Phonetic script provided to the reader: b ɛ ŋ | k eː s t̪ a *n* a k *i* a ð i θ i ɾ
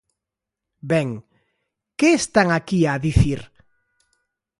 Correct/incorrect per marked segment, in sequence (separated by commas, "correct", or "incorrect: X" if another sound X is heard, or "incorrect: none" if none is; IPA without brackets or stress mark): incorrect: ŋ, correct